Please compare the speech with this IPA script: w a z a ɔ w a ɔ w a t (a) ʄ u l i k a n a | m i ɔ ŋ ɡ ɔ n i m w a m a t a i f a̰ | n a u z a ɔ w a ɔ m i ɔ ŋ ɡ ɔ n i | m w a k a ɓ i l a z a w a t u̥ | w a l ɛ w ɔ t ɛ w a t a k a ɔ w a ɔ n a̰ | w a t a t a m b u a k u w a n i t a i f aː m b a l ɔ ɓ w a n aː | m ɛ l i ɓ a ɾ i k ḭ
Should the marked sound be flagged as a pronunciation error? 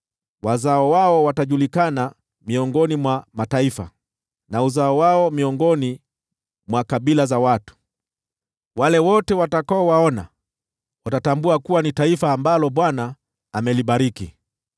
no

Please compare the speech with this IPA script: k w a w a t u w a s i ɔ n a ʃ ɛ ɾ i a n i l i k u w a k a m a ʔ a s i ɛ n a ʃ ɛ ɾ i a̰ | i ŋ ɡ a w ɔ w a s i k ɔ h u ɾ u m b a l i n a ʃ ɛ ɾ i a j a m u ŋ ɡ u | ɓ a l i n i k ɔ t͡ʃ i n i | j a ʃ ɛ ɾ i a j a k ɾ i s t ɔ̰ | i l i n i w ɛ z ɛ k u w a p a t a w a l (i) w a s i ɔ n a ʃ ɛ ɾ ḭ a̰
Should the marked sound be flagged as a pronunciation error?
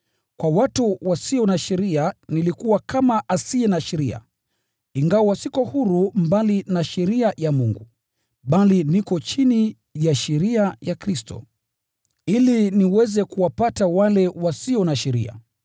yes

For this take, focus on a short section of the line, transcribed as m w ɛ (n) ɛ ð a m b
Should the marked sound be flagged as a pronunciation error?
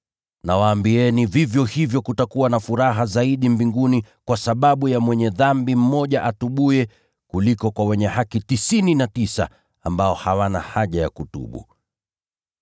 yes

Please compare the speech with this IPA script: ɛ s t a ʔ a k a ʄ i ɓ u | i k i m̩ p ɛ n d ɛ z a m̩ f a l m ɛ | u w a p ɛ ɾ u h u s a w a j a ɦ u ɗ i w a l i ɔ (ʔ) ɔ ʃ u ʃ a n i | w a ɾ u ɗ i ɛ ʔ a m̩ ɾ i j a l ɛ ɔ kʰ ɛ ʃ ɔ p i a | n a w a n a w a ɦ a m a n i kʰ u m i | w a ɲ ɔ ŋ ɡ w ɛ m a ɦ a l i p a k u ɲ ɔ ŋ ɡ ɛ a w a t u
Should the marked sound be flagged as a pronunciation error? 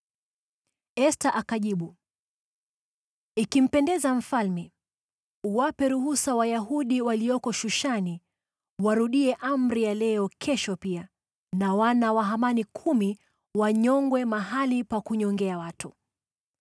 yes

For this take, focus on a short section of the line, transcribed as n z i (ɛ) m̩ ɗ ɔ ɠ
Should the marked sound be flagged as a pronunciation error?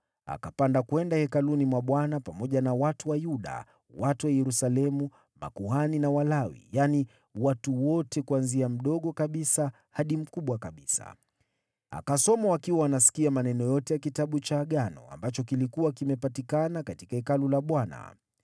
yes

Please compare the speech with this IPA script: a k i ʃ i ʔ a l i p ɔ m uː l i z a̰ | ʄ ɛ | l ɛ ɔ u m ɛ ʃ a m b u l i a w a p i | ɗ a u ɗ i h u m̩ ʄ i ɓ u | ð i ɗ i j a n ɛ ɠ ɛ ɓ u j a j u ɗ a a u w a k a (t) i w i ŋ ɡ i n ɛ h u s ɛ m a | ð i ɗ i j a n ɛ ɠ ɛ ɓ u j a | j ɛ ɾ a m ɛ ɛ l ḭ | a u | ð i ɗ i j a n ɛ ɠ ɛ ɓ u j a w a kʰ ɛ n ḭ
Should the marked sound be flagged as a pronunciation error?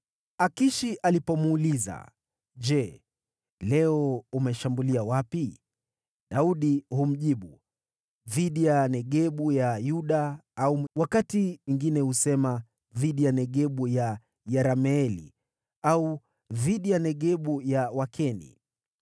no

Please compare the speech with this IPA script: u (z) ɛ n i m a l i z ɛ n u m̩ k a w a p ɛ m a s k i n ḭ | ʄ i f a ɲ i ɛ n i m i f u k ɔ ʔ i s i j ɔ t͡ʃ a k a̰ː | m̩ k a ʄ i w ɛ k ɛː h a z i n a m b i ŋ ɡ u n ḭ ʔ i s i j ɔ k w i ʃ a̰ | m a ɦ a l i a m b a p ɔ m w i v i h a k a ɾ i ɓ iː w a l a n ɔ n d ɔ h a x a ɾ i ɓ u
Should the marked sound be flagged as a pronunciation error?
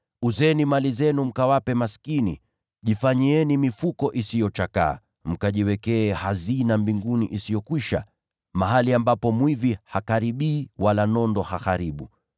no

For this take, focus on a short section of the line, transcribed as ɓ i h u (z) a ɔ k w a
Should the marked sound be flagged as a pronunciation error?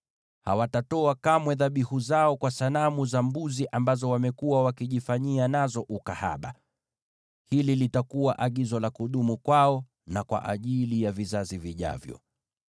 no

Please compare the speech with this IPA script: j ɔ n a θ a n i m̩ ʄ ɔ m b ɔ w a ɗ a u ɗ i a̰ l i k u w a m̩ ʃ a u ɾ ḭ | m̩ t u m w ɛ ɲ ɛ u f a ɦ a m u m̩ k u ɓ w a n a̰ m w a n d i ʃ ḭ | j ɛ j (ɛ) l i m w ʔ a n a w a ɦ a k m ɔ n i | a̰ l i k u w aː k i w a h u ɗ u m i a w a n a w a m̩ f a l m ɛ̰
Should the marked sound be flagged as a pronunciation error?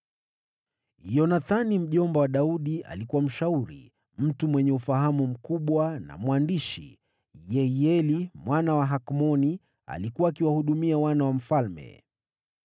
no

